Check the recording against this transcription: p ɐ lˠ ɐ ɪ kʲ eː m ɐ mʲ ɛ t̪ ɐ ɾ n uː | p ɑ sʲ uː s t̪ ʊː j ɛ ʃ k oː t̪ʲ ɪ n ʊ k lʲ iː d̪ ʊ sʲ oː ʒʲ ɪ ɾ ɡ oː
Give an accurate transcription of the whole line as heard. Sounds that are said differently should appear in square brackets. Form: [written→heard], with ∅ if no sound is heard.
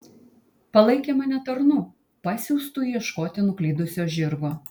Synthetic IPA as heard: p ɐ lˠ ɐ ɪ kʲ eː m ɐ [mʲ→nʲ] ɛ t̪ ɐ ɾ n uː | p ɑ sʲ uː s t̪ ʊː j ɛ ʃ k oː t̪ʲ ɪ n ʊ k lʲ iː d̪ ʊ sʲ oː ʒʲ ɪ ɾ ɡ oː